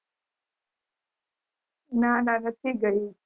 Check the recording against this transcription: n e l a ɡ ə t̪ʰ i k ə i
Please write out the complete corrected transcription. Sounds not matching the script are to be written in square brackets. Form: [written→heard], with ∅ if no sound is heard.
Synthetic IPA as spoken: n [e→a] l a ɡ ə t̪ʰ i [k→ɡ] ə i

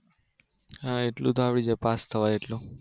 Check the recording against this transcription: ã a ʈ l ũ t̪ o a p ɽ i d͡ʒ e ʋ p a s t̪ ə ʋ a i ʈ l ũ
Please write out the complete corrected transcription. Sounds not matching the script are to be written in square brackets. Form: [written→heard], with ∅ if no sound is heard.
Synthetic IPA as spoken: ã [a→e] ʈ l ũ t̪ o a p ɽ i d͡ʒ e [ʋ→∅] p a s [t̪→t̪ʰ] ə ʋ a [i→e] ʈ l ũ

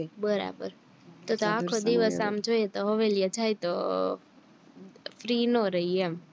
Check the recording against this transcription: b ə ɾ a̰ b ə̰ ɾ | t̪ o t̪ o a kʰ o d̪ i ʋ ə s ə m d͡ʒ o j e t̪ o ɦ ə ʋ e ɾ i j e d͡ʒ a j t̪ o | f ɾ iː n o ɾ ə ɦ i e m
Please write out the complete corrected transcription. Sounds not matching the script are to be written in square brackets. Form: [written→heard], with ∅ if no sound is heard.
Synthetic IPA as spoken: b ə ɾ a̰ b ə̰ ɾ | t̪ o t̪ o a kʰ o d̪ i ʋ ə s [ə→a] m d͡ʒ o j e t̪ o ɦ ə ʋ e [ɾ→l] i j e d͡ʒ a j t̪ o | f ɾ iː n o ɾ ə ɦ i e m

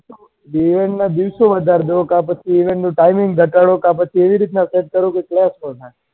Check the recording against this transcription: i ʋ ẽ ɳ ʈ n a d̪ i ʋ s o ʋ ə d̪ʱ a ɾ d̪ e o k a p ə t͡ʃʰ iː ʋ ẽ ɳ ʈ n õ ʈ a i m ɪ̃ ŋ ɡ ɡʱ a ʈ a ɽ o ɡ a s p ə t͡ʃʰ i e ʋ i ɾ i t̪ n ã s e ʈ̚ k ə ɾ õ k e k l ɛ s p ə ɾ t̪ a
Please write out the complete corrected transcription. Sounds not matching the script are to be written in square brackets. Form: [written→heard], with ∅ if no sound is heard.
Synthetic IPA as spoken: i ʋ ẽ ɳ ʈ n a d̪ i ʋ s o ʋ ə d̪ʱ a ɾ d̪ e o k a p ə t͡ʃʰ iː ʋ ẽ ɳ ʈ n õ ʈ a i m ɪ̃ ŋ ɡ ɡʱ [a→ə] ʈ a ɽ o [ɡ→k] a [s→∅] p ə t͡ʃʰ i e ʋ i ɾ i t̪ n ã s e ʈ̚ k ə ɾ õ k e k l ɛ s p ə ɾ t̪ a

